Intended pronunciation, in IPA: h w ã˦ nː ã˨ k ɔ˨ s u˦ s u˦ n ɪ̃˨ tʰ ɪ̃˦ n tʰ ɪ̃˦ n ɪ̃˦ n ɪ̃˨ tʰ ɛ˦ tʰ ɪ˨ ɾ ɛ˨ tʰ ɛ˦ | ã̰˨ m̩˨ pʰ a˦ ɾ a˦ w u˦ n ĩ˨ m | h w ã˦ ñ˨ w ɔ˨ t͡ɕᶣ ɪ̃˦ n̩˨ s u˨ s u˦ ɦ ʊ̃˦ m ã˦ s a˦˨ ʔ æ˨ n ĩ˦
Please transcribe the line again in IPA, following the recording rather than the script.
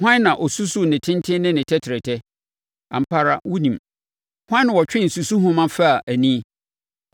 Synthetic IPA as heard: h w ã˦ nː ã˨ ʔ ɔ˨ s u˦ s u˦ n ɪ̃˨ tʰ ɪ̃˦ n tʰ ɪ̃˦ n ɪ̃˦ n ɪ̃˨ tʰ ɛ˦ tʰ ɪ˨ ɾ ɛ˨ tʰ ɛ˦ | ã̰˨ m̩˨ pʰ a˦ ɾ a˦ w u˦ n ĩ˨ m | h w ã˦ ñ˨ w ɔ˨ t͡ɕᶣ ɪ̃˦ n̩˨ s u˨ s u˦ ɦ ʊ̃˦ m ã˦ f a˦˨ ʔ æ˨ n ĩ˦

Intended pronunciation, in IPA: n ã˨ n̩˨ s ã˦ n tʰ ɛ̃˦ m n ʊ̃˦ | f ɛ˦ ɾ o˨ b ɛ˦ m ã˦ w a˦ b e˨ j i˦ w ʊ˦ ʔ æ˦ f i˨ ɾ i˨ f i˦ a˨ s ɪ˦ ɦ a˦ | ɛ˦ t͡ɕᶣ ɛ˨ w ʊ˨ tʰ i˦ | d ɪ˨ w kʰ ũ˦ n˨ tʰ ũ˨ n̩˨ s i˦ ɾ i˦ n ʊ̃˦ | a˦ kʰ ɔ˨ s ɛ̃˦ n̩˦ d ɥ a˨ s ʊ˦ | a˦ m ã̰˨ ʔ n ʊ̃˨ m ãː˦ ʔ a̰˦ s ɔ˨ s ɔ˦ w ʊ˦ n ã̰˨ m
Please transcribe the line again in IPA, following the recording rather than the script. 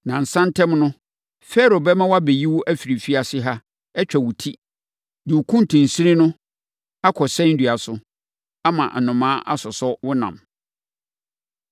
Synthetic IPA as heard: n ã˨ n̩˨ s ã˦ n tʰ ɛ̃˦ m n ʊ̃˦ | f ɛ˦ ɾ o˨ b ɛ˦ m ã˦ w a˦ b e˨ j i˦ w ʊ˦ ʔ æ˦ f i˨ ɾ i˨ f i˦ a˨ s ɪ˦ ɦ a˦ | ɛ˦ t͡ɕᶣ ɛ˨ w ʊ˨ tʰ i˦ | d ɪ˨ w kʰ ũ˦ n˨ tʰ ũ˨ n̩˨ s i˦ ɾ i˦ n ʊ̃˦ | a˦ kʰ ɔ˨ s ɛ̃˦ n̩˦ d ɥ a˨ s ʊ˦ | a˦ m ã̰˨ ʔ n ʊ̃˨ m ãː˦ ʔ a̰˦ s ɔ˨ s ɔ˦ w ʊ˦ n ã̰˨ m

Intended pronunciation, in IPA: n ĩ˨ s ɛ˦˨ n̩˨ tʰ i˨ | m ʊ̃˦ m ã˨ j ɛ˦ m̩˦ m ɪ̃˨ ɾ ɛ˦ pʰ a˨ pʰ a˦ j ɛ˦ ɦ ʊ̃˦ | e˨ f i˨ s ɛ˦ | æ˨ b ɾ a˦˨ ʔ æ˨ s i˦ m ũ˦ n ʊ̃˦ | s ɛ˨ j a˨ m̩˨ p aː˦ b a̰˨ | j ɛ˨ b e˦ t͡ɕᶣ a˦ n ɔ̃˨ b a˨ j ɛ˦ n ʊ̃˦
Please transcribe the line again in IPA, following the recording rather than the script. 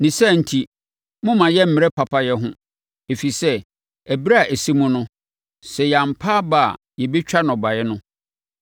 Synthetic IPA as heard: n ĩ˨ s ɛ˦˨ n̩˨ tʰ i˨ | m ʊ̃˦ m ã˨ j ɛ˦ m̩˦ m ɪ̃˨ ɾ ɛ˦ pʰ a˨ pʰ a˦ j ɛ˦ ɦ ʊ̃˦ | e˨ f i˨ s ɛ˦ | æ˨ b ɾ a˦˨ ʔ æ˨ s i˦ m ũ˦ n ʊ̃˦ | s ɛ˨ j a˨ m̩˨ pʰ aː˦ b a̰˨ | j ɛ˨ b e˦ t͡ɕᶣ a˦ n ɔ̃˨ b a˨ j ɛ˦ n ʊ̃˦

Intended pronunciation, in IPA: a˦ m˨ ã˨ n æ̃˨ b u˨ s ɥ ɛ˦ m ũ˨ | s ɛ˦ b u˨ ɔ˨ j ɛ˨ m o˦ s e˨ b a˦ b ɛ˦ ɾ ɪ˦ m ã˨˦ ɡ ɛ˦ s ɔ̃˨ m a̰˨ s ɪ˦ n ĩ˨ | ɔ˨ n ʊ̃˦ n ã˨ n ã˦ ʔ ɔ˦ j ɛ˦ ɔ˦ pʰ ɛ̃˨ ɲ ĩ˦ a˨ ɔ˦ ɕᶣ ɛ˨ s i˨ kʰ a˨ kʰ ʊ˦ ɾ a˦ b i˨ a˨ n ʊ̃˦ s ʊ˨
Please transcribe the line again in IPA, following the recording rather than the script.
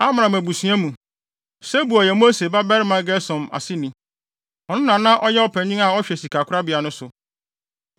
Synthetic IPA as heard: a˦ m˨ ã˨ m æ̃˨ b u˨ s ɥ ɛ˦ m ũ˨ | s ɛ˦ b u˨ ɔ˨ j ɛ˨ m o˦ s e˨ b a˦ b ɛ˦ ɾ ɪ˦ m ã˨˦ ɡ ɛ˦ s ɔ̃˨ m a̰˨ s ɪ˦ n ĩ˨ | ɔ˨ n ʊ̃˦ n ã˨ n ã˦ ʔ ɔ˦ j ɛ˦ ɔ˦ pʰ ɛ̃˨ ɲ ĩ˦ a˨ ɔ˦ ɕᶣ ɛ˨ s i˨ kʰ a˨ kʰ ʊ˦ ɾ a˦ b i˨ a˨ n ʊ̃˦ s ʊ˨

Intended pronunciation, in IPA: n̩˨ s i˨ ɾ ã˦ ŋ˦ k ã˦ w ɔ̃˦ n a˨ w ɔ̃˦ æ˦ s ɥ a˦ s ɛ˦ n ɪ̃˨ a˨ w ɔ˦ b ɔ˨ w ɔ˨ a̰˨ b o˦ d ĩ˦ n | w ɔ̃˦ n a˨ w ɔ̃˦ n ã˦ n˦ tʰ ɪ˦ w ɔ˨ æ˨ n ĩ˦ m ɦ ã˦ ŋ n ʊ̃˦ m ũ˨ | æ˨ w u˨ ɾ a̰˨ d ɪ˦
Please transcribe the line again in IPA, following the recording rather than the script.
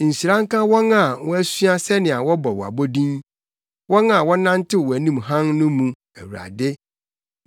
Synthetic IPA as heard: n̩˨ s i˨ ɾ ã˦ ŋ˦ k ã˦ w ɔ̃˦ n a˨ w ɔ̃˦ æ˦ s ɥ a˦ s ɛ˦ n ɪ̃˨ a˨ w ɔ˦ b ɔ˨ w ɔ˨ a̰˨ b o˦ d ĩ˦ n | w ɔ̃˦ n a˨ w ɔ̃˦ n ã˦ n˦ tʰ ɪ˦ w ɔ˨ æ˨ n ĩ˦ m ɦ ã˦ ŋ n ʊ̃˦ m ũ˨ | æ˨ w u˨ ɾ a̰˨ d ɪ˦

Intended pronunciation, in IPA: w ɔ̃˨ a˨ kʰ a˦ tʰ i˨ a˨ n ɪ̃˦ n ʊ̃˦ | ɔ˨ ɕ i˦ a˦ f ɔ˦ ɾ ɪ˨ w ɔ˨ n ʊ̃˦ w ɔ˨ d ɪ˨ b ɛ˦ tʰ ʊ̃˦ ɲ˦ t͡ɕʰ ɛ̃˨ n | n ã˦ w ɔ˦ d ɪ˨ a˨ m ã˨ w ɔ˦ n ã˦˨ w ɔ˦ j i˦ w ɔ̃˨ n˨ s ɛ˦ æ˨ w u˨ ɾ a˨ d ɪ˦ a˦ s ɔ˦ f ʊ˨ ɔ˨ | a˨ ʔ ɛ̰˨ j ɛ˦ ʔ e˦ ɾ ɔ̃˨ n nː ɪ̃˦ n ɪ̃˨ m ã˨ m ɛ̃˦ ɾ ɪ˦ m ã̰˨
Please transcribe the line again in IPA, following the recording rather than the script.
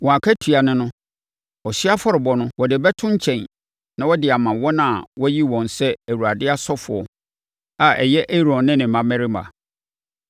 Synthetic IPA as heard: w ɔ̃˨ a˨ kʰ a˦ tʰ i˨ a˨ n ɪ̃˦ n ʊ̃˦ | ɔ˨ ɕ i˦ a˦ f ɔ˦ ɾ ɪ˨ b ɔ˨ n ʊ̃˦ w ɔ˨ d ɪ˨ b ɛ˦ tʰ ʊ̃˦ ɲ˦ t͡ɕʰ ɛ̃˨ n | n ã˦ w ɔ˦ d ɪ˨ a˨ m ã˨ w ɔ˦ n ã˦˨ w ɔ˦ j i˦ w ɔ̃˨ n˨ s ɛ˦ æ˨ w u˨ ɾ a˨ d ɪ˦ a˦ s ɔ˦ f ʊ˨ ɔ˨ | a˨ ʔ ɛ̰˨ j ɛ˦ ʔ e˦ ɾ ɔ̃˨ n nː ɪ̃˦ n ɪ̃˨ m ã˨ m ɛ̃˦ ɾ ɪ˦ m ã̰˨

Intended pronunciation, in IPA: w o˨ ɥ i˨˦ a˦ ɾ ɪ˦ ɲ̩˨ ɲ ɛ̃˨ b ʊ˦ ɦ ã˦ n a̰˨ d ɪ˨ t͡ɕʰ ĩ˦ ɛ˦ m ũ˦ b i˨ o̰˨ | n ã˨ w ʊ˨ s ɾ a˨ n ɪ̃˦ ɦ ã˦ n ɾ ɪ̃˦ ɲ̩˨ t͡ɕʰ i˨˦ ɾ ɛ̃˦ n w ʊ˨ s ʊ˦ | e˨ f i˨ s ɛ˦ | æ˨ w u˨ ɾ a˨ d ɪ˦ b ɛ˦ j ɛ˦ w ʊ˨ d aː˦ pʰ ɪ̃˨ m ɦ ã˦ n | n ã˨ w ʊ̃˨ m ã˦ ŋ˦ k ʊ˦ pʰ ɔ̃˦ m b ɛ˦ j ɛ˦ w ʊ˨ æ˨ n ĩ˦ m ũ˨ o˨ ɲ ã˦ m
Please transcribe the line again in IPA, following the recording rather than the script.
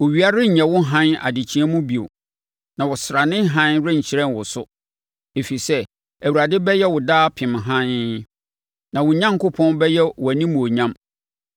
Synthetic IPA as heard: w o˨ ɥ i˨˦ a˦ ɾ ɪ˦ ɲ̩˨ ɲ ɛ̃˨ w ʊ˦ ɦ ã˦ n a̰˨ d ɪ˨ t͡ɕʰ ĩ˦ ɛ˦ m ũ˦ b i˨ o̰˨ | n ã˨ w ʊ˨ s ɾ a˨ n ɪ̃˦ ɦ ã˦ n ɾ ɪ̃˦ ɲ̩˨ t͡ɕʰ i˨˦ ɾ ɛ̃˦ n w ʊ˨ s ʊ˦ | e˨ f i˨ s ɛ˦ | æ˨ w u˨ ɾ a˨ d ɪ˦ b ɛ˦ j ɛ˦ w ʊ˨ d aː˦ pʰ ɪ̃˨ m ɦ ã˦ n | n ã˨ w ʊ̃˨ ɲ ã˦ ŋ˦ k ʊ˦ pʰ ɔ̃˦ n b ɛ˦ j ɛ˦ w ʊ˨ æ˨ n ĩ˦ m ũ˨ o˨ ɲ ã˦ m

